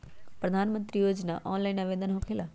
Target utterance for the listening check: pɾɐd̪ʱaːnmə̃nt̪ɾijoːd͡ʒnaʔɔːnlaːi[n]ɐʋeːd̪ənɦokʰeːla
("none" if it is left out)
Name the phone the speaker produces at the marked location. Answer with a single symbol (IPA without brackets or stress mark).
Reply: n